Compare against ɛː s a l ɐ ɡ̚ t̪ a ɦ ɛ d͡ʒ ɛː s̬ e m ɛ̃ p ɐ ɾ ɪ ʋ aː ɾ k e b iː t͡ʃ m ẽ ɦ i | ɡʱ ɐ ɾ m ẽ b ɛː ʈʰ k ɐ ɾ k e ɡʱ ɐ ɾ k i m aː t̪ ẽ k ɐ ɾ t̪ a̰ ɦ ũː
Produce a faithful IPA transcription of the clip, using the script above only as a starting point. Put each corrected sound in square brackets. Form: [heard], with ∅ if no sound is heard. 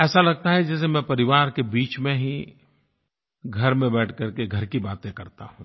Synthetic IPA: ɛː s a l ɐ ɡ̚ t̪ a ɦ ɛ d͡ʒ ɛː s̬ e m ɛ̃ p ɐ ɾ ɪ ʋ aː ɾ k e b iː t͡ʃ m ẽ ɦ i | ɡʱ ɐ ɾ m ẽ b ɛː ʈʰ k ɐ ɾ k e ɡʱ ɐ ɾ k i [b] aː t̪ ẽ k ɐ ɾ t̪ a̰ ɦ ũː